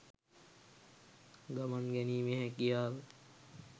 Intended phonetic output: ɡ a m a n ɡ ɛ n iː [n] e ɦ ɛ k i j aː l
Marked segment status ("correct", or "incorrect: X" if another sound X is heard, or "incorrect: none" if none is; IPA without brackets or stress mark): incorrect: m